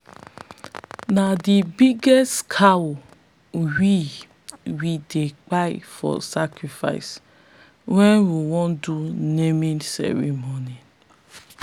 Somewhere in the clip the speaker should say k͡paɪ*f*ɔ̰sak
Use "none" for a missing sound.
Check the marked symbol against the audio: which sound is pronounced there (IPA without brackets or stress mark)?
f